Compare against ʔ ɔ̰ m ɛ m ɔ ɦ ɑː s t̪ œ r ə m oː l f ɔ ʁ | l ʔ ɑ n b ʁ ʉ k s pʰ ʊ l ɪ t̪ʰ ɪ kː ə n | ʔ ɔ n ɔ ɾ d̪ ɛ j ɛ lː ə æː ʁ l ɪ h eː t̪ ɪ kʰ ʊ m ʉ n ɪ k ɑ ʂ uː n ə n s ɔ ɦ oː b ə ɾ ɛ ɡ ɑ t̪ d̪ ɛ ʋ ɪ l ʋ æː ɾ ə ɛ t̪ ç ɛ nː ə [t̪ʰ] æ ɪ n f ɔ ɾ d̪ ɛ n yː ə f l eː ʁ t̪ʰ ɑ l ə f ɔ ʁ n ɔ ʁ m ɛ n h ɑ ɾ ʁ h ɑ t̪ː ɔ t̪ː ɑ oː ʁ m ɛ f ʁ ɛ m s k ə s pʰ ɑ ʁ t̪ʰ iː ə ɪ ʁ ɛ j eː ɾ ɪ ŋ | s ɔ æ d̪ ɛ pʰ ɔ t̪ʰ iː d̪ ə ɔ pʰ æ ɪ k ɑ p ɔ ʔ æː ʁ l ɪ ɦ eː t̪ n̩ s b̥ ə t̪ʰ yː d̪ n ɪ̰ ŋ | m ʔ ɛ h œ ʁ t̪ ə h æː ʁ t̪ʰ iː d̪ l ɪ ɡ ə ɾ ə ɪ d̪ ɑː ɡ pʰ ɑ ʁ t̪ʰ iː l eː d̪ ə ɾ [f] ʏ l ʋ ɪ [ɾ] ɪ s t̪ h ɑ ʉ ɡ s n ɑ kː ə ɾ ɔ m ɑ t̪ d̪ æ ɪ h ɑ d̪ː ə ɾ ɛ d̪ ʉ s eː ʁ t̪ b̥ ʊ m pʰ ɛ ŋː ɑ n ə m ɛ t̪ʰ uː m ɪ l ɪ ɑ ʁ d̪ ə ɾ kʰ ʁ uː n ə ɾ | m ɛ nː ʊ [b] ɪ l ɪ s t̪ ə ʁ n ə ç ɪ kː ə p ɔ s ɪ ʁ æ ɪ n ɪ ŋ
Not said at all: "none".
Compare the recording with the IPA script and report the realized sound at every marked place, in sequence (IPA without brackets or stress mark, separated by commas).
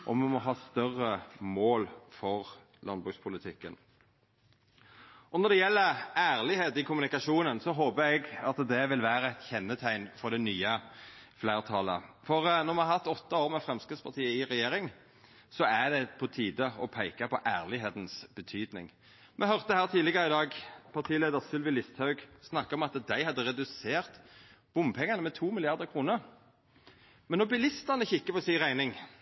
t̪ʰ, s, l, b